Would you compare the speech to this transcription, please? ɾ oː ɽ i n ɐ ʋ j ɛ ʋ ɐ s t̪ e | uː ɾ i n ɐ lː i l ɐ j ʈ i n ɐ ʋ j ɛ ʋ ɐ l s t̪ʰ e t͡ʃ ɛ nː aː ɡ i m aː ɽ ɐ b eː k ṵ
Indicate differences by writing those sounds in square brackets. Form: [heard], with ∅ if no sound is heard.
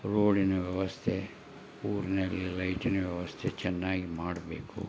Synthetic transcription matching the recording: ɾ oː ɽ i n ɐ ʋ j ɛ ʋ ɐ s [t̪ʰ] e | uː ɾ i n ɐ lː i l ɐ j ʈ i n ɐ ʋ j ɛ ʋ ɐ [∅] s t̪ʰ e t͡ʃ ɛ nː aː ɡ i m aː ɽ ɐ b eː k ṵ